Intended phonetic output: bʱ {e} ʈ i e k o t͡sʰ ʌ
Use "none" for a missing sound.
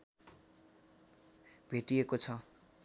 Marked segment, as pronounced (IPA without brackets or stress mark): e